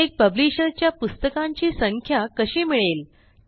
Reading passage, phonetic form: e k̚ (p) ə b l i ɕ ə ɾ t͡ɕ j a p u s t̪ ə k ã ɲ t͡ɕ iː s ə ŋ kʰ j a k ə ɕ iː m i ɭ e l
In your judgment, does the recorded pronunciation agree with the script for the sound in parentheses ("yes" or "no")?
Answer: yes